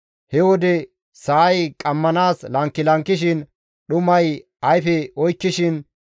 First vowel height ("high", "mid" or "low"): mid